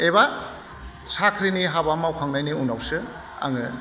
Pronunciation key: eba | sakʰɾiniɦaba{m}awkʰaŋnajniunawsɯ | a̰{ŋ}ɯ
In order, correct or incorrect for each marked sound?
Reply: correct, correct

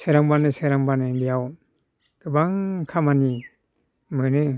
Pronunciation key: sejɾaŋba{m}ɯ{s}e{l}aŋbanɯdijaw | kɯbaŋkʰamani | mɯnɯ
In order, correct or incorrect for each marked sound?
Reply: incorrect: n, correct, incorrect: ɾ

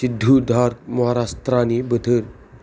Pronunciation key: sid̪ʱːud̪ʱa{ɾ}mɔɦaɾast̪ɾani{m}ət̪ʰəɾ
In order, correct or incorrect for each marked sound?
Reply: correct, incorrect: b

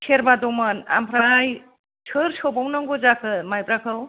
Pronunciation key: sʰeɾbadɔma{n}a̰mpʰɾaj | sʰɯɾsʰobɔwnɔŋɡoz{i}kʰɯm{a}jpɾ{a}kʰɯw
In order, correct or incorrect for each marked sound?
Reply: correct, incorrect: a, correct, correct

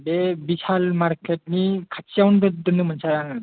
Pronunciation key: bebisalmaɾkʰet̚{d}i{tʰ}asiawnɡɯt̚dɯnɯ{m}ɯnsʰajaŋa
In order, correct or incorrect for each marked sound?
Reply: incorrect: n, incorrect: kʰ, correct

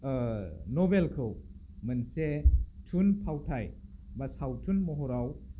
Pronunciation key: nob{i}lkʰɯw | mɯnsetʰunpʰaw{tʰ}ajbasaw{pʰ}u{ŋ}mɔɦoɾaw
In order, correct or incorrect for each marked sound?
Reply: incorrect: e, correct, incorrect: tʰ, incorrect: n

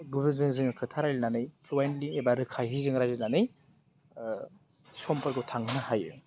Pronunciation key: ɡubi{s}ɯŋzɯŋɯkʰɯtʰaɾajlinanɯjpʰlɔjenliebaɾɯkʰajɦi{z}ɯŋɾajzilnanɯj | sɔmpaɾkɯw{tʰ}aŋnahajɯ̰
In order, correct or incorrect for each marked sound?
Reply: incorrect: z, correct, correct

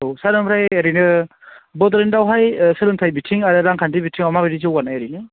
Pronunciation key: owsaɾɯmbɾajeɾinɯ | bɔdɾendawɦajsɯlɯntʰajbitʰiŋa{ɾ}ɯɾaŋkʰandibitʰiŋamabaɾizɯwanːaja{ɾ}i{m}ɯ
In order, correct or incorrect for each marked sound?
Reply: correct, correct, incorrect: n

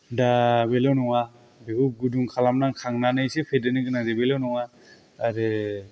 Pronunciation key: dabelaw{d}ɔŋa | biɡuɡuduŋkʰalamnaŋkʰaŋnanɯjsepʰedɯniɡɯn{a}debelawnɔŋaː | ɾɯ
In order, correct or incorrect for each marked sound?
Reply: incorrect: n, correct

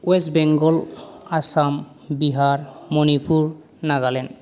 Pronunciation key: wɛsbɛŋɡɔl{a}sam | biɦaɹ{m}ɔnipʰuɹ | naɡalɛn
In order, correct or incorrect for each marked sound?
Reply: correct, correct

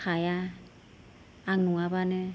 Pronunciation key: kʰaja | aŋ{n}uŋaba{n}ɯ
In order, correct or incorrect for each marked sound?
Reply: correct, correct

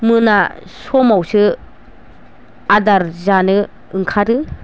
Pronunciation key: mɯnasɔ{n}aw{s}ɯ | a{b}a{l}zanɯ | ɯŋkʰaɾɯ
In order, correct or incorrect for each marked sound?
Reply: incorrect: m, correct, incorrect: d, incorrect: ɾ

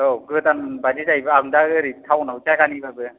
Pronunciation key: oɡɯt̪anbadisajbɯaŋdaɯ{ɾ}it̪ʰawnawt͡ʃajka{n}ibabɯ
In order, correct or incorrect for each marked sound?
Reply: correct, correct

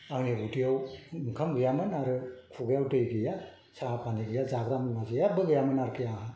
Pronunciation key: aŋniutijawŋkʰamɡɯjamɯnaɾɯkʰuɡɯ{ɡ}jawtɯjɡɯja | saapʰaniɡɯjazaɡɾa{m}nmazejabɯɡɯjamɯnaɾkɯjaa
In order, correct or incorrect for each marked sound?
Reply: incorrect: none, correct

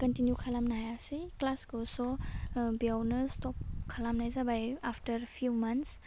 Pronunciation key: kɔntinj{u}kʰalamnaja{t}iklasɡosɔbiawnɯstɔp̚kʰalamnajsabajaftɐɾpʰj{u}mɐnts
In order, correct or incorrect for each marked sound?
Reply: correct, incorrect: s, correct

